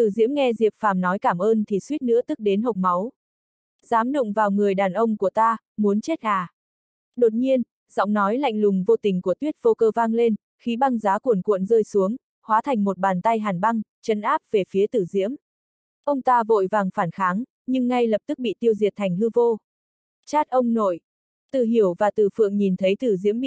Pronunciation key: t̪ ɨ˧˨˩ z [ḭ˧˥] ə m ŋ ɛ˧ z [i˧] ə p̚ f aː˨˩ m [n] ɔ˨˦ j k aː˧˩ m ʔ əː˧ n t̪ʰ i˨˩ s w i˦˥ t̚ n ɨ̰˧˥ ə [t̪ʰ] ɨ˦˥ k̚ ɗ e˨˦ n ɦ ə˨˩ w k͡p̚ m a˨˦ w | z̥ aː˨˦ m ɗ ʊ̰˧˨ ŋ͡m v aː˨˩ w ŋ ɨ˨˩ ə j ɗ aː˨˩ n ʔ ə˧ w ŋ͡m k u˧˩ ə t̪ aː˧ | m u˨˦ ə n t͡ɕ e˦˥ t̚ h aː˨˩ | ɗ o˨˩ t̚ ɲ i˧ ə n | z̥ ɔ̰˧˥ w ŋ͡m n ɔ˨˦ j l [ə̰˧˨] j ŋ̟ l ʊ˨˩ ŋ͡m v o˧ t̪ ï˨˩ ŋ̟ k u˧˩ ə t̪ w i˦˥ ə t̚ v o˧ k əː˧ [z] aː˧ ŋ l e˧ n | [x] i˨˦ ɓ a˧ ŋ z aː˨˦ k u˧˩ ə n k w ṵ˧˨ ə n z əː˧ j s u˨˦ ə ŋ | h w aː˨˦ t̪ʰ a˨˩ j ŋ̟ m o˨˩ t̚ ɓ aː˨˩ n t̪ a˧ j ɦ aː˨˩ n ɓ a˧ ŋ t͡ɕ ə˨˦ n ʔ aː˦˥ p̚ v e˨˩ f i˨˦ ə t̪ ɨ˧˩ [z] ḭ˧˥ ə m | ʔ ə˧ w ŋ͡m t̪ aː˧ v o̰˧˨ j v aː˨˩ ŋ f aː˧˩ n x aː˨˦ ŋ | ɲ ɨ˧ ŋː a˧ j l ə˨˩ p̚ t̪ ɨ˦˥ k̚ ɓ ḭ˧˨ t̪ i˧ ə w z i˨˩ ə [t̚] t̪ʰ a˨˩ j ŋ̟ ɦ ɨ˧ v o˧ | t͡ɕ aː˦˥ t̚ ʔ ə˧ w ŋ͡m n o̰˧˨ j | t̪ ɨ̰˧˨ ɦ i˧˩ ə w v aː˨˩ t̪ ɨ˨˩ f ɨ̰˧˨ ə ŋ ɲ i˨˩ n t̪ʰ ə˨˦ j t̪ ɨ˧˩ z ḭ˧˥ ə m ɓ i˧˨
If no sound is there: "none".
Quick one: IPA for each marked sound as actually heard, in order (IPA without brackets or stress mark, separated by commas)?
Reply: ḭ˧˥, i˨˩, n, t̪, a̰˧˨, v, x, z, t̚